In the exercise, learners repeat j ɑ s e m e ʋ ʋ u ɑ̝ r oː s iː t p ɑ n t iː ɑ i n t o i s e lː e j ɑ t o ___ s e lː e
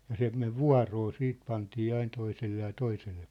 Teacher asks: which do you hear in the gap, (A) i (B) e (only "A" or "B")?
A